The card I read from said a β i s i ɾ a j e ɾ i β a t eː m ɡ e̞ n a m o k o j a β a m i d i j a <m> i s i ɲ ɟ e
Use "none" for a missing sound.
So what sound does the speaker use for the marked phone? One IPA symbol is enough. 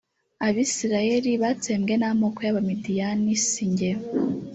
n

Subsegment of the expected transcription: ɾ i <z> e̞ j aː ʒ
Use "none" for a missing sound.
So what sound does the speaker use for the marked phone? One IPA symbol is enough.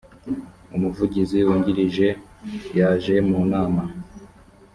ʒ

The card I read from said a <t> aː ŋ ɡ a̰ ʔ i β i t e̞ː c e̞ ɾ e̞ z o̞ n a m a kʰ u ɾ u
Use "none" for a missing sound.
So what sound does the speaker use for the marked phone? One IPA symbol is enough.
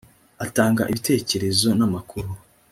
t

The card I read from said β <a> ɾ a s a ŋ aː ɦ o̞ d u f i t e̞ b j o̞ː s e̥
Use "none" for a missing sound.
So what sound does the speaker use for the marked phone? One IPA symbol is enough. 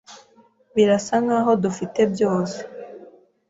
i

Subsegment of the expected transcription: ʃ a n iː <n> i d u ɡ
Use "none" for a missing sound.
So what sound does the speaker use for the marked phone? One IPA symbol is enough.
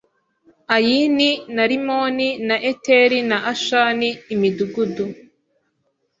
m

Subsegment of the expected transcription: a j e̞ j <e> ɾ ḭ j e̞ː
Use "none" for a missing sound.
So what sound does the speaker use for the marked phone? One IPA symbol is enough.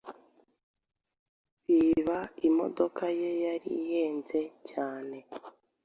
a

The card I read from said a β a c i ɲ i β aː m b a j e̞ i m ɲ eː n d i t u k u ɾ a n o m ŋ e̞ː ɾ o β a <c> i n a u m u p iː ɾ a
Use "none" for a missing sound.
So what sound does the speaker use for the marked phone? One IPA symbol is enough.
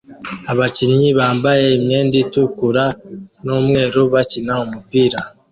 c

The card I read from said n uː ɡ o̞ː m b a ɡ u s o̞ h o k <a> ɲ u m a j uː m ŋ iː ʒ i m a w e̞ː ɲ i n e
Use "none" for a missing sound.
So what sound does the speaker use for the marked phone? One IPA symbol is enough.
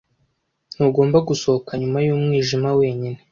a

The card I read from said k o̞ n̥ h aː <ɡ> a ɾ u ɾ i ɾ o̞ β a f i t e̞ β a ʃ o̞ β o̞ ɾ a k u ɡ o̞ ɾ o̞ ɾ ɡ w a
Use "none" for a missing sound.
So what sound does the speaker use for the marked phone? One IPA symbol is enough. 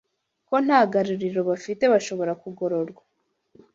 ɡ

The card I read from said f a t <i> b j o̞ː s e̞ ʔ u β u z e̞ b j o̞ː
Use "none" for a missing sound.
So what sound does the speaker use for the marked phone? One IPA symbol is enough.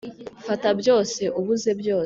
a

